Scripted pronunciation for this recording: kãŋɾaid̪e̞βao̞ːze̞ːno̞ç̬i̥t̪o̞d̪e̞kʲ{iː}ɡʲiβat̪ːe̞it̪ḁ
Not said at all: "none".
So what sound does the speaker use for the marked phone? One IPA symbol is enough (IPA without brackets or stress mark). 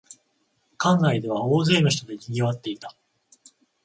i